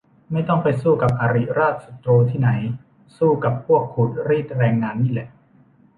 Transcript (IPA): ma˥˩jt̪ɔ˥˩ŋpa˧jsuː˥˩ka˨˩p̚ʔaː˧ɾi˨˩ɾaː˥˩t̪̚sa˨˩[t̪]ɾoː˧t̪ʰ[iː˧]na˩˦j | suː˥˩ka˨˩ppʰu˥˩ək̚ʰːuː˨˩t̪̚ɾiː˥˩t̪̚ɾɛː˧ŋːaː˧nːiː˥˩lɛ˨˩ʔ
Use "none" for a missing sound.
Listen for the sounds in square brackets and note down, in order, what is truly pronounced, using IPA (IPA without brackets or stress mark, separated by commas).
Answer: t̪, iː˥˩